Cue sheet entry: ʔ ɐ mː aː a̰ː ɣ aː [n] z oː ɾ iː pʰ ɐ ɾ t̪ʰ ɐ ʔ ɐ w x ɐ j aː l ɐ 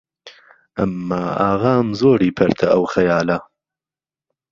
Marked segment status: incorrect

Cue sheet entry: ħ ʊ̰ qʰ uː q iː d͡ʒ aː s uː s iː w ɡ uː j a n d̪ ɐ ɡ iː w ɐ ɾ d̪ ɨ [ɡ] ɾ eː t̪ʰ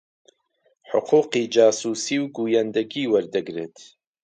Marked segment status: correct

